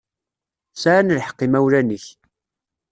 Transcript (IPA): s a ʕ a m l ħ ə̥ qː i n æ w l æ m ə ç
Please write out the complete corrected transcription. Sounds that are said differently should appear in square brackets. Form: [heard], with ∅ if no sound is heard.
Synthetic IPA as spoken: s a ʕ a [n] l ħ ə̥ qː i [m] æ w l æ [n] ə ç

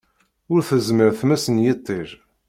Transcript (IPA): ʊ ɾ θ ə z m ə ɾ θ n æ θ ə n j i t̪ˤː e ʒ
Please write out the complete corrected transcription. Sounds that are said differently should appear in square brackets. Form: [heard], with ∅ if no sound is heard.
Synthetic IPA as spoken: ʊ ɾ θ ə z m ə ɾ θ [m] æ [s] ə n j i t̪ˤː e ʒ

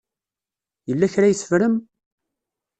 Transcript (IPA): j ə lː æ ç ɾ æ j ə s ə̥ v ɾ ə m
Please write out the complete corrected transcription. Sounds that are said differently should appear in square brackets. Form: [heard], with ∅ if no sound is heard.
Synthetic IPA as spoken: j ə lː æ ç ɾ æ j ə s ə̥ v ɾ ə m

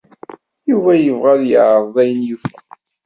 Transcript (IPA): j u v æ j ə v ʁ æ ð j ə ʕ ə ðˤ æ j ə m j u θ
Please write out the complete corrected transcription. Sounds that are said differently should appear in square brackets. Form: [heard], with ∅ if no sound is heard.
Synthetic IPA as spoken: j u v æ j ə v ʁ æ ð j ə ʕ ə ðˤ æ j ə [n] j u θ

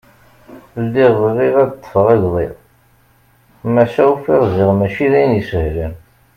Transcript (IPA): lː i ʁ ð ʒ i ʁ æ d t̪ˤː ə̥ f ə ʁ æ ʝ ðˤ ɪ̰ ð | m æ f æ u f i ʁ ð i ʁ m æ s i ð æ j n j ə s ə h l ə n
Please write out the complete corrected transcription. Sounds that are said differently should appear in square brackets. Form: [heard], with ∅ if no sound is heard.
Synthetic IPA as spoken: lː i ʁ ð [ʁ] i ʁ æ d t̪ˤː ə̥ f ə ʁ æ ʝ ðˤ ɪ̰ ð | m æ [ʃ] æ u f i ʁ [z] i ʁ m æ [ʃ] i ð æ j n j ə s ə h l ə n

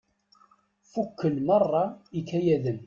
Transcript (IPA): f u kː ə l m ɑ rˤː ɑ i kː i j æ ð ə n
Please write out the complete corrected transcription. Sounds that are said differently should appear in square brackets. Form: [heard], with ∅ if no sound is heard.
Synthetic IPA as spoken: f u kː ə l m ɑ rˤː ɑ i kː [æ] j æ ð ə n

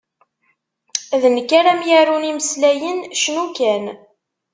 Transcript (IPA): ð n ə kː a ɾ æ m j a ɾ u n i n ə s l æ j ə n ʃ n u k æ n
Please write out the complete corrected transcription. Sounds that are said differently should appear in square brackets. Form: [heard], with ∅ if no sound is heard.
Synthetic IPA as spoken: ð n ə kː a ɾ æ m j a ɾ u n i [m] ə s l æ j ə n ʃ n u k æ n

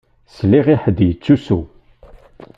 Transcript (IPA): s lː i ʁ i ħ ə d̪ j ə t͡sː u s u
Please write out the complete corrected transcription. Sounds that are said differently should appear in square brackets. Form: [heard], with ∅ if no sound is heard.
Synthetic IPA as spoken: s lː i ʁ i ħ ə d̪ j ə t͡sː u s u

